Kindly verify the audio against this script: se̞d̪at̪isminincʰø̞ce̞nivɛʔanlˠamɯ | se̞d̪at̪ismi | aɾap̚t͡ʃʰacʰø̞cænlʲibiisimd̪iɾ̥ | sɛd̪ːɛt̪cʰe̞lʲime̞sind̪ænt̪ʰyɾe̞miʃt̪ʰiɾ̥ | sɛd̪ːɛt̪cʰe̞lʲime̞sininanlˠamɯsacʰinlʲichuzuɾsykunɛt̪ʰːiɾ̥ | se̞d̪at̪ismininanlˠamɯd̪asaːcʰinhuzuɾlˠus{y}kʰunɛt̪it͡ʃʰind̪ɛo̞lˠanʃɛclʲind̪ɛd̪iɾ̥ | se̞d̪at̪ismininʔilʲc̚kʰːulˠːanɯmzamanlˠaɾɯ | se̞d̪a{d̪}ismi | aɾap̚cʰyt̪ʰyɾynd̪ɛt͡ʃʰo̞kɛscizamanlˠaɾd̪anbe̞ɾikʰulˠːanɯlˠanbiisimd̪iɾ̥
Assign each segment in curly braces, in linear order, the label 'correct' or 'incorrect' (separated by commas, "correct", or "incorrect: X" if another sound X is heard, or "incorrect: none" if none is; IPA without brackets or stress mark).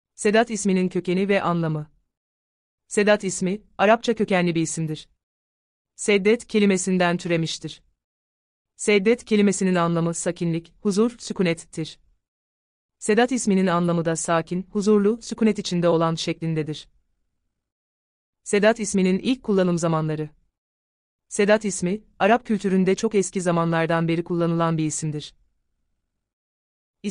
correct, incorrect: t̪